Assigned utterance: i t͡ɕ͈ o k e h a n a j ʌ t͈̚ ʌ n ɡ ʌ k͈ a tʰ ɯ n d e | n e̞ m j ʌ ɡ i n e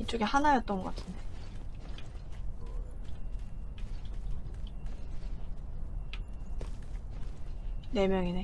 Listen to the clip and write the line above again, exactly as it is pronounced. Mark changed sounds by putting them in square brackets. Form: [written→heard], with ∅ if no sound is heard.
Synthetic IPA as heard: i t͡ɕ͈ o [k→ɡ] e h a n a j ʌ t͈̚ ʌ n ɡ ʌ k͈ a tʰ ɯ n d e | n e̞ m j ʌ [ɡ→ŋ] i n e

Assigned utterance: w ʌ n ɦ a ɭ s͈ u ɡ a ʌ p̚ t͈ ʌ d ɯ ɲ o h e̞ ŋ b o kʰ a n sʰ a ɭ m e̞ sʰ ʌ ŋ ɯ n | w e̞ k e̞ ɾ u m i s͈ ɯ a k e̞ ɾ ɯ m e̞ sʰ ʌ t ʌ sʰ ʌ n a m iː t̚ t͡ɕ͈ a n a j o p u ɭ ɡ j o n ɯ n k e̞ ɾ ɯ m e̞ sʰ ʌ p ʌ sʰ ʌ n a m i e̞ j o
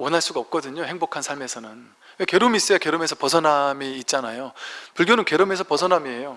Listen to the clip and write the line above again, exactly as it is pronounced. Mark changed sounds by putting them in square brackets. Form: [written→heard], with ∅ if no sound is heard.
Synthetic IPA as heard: w ʌ n ɦ a ɭ s͈ u ɡ a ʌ p̚ [t͈→k͈] ʌ d ɯ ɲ o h e̞ ŋ b o kʰ a n sʰ a ɭ m e̞ sʰ ʌ [ŋ→n] ɯ n | w e̞ k e̞ ɾ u m i s͈ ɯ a k e̞ ɾ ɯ m e̞ sʰ ʌ [t→p] ʌ sʰ ʌ n a m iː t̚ t͡ɕ͈ a n a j o p u ɭ ɡ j o n ɯ n k e̞ ɾ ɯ m e̞ sʰ ʌ p ʌ sʰ ʌ n a m i e̞ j o

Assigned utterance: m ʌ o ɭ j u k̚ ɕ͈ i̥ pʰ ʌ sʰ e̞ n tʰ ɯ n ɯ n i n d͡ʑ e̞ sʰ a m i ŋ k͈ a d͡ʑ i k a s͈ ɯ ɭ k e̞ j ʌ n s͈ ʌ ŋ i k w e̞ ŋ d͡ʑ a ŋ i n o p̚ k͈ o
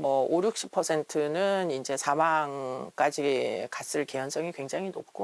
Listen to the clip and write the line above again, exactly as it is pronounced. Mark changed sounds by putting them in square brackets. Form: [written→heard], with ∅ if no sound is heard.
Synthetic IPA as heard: m ʌ o [ɭ→ɾ] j u k̚ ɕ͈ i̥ pʰ ʌ sʰ e̞ n tʰ ɯ n ɯ n i n d͡ʑ e̞ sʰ a m [i→a] ŋ k͈ a d͡ʑ i k a s͈ ɯ ɭ k e̞ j ʌ n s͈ ʌ ŋ i k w e̞ ŋ d͡ʑ a ŋ i n o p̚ k͈ o

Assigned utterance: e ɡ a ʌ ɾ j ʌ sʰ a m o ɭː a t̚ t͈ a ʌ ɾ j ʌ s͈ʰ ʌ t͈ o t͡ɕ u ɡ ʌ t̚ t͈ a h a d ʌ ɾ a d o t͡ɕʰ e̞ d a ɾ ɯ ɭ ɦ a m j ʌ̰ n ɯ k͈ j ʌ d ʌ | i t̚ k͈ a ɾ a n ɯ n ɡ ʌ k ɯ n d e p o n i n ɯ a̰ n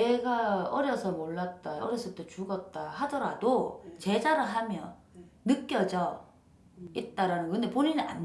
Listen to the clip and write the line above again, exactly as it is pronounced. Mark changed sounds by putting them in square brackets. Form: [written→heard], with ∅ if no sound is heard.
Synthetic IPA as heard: e ɡ a ʌ ɾ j ʌ sʰ [a→ʌ] m o ɭː a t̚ t͈ a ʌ ɾ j ʌ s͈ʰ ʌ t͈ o t͡ɕ u ɡ ʌ t̚ t͈ a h a d ʌ ɾ a d o [t͡ɕʰ→t͡ɕ] e̞ [d→d͡ʑ] a ɾ ɯ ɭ ɦ a m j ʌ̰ n ɯ k͈ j ʌ [d→d͡ʑ] ʌ | i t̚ [k͈→t͈] a ɾ a n ɯ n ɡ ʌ k ɯ n d e p o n i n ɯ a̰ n

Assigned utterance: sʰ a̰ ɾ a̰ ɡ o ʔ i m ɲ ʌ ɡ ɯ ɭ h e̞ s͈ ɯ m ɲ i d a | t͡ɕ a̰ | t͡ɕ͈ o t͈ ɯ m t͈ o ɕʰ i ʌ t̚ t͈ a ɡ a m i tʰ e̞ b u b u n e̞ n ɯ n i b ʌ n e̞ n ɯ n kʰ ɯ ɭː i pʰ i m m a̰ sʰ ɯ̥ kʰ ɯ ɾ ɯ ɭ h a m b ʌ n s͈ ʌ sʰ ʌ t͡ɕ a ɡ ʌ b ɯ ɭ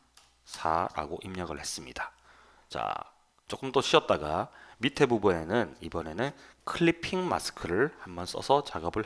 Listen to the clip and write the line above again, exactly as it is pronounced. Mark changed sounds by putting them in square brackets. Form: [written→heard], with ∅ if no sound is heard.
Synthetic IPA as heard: sʰ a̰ ɾ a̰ ɡ o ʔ i m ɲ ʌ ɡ ɯ ɭ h e̞ s͈ ɯ m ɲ i d a | t͡ɕ a̰ | t͡ɕ͈ o [t͈→k͈] ɯ m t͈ o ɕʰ i ʌ t̚ t͈ a ɡ a m i tʰ e̞ b u b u n e̞ n ɯ n i b ʌ n e̞ n ɯ n kʰ ɯ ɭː i pʰ i [m→ŋ] m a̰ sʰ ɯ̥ kʰ ɯ ɾ ɯ ɭ h a m b ʌ n s͈ ʌ sʰ ʌ t͡ɕ a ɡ ʌ b ɯ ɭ

